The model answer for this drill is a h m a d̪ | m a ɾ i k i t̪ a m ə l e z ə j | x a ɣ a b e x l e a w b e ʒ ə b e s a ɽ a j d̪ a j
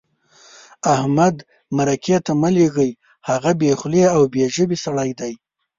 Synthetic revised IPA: a h m a d̪ | m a ɾ a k e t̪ a m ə l e ɣ ə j | h a ɣ a b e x l e a w b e ʒ ə b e s a ɽ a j d̪ a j